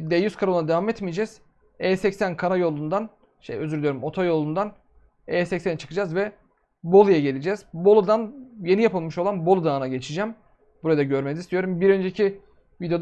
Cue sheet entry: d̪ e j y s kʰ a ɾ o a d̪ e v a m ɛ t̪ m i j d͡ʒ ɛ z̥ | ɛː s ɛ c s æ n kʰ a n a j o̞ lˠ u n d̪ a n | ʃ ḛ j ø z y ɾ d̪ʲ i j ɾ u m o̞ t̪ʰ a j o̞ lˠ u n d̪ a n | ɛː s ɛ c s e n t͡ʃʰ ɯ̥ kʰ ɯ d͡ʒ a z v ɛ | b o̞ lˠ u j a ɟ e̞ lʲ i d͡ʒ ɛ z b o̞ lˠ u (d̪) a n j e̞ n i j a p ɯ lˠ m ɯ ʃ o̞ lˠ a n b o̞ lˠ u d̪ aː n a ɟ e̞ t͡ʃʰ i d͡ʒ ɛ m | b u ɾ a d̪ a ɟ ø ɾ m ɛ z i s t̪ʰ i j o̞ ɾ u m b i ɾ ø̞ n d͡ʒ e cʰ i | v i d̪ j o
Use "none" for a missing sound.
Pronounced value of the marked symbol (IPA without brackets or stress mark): d̪